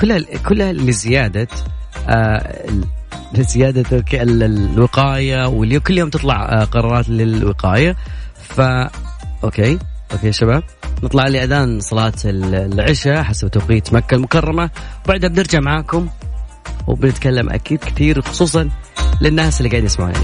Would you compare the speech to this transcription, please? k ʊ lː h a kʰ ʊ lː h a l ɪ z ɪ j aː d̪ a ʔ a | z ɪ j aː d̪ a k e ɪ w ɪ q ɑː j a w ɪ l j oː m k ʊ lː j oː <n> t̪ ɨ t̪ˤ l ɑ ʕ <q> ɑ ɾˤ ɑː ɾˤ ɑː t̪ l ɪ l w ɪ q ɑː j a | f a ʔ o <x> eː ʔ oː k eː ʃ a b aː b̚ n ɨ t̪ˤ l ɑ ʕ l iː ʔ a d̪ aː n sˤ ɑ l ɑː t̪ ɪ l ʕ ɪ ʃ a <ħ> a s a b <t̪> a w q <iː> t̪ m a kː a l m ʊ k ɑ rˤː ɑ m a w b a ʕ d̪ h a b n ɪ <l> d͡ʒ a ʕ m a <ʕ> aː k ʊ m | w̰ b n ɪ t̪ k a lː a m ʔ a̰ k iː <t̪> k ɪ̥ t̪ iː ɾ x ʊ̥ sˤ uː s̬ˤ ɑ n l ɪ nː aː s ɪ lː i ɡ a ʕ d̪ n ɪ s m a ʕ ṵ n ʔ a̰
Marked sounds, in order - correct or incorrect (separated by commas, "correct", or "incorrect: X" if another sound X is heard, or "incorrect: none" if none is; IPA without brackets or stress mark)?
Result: incorrect: m, correct, incorrect: k, correct, correct, correct, incorrect: ɾ, correct, incorrect: d̪